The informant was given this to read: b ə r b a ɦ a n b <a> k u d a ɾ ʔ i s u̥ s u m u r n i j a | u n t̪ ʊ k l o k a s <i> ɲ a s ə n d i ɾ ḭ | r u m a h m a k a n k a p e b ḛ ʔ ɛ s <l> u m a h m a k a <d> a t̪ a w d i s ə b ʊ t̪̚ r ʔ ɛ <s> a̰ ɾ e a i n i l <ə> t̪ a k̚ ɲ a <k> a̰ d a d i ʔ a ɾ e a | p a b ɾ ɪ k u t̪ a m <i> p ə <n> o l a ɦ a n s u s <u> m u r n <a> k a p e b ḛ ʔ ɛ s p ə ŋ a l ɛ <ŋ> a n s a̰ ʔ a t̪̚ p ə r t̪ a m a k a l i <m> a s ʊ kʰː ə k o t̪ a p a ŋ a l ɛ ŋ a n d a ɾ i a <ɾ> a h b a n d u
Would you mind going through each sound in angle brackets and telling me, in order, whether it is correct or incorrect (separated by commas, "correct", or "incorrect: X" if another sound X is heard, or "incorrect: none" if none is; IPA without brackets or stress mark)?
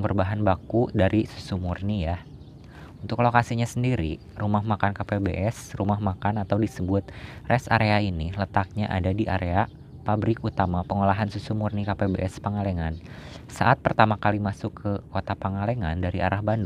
correct, correct, incorrect: r, incorrect: n, correct, correct, incorrect: ʔ, incorrect: a, incorrect: ŋ, correct, incorrect: i, correct, correct, correct